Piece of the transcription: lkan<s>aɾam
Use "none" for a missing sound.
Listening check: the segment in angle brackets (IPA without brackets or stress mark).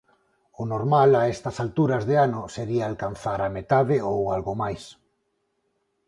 θ